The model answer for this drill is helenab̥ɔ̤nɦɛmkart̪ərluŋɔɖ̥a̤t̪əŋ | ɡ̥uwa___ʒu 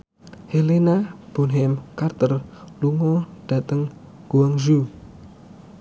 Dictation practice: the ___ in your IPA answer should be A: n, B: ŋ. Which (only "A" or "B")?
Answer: B